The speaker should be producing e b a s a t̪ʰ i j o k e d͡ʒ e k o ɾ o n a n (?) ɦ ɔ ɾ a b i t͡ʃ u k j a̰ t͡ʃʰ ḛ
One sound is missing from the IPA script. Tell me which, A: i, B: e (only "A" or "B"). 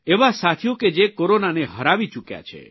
B